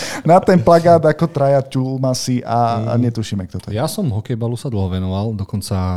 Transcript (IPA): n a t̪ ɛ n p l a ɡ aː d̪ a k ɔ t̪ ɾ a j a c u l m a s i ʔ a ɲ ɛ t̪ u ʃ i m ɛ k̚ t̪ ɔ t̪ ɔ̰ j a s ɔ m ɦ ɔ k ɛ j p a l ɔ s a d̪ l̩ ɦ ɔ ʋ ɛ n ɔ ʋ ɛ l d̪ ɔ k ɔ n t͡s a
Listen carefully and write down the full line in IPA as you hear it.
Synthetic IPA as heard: n a t̪ ɛ n p l a ɡ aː d̪ a k ɔ t̪ ɾ a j a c u l m a s i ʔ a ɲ ɛ t̪ u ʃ i m ɛ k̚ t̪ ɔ t̪ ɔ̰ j a s ɔ m ɦ ɔ k ɛ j b a l u s a d̪ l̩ ɦ ɔ ʋ ɛ n ɔ ʋ a l d̪ ɔ k ɔ n t͡s a